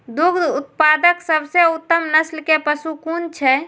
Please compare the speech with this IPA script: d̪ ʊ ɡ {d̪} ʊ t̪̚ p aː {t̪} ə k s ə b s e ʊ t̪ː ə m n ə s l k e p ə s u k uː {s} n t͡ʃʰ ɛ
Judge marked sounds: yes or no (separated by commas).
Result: yes, no, no